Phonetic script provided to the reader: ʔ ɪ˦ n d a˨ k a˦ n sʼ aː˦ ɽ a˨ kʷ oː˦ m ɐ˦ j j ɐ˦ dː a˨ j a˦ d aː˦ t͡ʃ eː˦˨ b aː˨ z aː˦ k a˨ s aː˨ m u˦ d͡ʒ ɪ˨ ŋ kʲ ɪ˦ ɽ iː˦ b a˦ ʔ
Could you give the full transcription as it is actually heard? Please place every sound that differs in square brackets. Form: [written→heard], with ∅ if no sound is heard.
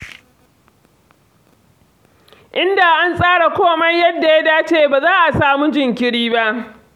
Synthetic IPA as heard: ʔ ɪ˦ n d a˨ [k→ʔ] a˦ n sʼ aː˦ ɽ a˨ kʷ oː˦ m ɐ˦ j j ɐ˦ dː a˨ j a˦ d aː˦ t͡ʃ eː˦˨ b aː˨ z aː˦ [k→ʔ] a˨ s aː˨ m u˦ d͡ʒ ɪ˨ ŋ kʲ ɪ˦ ɽ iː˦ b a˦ ʔ